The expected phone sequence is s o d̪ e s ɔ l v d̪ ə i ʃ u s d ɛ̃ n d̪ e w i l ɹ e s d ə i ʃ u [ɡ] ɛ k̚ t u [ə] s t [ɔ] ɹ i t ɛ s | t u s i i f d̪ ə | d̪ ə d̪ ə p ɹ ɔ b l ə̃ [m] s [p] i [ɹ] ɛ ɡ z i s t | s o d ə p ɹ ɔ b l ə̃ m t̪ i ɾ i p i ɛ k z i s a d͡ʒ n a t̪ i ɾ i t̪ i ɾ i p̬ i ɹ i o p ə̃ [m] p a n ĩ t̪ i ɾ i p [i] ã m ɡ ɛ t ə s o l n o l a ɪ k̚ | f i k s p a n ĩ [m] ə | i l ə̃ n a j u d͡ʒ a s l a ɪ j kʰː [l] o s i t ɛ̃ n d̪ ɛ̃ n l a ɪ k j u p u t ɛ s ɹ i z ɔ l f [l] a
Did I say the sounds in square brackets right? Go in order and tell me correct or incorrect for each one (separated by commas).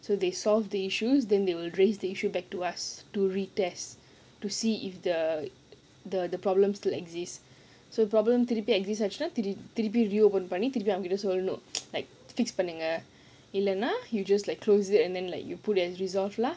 incorrect, incorrect, incorrect, correct, incorrect, incorrect, incorrect, correct, incorrect, correct, correct